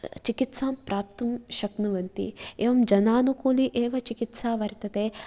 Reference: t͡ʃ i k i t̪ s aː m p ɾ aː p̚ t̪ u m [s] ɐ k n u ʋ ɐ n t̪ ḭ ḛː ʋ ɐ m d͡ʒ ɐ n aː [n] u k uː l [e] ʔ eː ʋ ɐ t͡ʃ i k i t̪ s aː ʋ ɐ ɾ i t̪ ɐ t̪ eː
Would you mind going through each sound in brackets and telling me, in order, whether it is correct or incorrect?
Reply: incorrect, correct, incorrect

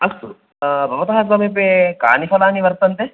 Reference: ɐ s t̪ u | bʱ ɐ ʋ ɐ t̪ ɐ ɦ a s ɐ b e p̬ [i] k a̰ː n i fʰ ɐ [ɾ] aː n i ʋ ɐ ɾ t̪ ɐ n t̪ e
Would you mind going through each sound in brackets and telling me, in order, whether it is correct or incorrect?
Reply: incorrect, incorrect

